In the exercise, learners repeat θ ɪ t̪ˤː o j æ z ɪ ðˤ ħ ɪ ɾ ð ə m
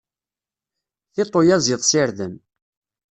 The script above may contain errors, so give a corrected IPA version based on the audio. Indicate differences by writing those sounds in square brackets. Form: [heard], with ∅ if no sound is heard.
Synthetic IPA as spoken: θ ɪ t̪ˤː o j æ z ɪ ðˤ [s] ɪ ɾ ð ə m